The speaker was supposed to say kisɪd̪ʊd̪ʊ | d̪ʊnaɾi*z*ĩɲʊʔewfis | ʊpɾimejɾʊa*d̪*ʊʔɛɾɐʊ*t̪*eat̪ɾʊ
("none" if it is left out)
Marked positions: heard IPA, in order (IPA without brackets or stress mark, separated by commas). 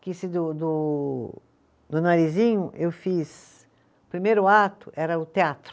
z, t̪, t̪